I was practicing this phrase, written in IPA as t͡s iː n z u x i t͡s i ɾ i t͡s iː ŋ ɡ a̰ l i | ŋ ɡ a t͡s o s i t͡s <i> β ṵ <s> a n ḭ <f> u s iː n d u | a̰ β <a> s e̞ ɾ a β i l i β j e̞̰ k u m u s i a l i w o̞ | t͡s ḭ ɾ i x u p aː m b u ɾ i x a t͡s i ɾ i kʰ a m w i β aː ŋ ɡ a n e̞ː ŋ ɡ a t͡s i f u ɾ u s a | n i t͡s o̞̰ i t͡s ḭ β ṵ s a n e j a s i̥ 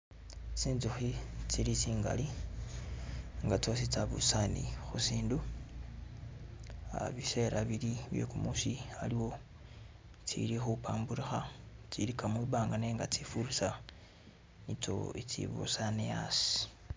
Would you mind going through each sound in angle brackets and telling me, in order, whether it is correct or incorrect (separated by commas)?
incorrect, correct, incorrect, incorrect